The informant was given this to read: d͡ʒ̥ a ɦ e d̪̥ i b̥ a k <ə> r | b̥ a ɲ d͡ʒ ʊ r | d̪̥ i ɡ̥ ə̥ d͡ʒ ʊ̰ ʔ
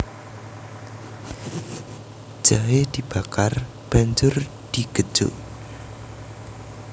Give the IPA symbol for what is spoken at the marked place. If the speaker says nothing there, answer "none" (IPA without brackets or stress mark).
a